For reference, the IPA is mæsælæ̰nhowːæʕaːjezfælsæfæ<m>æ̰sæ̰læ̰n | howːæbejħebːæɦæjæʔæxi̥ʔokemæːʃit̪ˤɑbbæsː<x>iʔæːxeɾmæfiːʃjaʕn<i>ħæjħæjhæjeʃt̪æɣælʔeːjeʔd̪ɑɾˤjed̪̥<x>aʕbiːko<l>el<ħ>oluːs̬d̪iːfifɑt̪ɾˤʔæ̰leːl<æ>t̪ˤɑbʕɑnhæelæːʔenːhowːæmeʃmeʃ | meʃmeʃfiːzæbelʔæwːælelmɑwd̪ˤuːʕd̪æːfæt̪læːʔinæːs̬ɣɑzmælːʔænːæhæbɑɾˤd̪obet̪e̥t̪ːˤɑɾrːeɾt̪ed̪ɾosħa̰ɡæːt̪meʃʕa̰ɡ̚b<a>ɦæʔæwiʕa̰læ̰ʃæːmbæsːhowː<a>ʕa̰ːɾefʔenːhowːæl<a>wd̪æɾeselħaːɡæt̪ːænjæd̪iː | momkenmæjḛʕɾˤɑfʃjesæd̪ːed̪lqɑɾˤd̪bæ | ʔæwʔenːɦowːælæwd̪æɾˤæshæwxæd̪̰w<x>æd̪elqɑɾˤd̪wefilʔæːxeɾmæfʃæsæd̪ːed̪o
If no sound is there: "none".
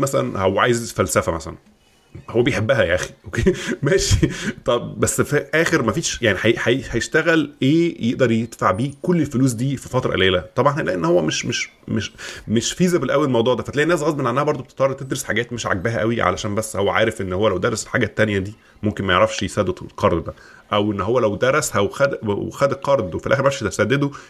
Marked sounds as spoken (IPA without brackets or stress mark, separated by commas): m, f, i, f, lː, f, æ, æ, æ, æ, x